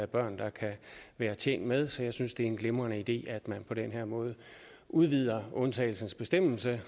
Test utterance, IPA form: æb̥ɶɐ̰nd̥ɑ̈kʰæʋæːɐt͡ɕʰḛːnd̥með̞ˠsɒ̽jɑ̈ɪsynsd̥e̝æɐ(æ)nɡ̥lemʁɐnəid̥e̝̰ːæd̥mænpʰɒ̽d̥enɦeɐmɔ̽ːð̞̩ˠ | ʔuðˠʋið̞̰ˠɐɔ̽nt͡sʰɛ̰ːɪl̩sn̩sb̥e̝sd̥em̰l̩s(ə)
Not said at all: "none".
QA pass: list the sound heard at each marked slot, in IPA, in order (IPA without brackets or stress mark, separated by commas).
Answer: e, ə